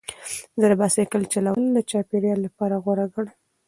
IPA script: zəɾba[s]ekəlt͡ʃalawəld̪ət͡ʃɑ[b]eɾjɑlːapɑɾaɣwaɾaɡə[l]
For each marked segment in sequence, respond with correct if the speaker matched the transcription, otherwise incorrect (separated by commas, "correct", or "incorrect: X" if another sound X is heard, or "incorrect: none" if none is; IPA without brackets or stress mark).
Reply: correct, incorrect: p, incorrect: ɽ